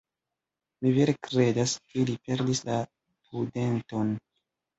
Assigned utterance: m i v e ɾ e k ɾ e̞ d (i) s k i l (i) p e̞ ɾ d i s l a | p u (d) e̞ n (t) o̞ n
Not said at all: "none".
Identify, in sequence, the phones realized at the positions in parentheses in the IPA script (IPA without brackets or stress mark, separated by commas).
a, i, d, t